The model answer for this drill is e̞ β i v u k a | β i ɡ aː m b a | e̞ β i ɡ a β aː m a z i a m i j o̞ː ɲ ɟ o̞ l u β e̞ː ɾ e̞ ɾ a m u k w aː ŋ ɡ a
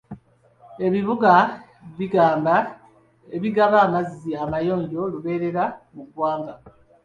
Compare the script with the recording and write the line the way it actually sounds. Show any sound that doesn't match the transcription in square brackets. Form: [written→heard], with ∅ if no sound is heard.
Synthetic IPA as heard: e̞ β i [v→β] u [k→ɡ] a | β i ɡ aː m b a | e̞ β i ɡ a β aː m a z i a m [i→a] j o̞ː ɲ ɟ o̞ l u β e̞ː ɾ e̞ ɾ a m u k w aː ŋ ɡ a